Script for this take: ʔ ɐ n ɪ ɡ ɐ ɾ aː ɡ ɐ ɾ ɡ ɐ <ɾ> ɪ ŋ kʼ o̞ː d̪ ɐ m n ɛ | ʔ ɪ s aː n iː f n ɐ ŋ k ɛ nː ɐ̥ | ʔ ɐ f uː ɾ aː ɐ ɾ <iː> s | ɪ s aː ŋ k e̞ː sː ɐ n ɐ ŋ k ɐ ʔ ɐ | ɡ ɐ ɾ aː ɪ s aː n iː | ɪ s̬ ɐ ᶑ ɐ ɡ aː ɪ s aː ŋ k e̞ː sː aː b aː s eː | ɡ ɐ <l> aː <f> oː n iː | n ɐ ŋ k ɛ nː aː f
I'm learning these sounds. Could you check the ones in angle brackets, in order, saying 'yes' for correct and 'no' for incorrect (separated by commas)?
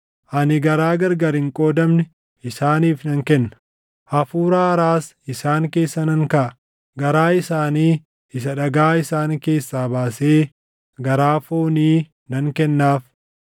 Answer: yes, no, no, yes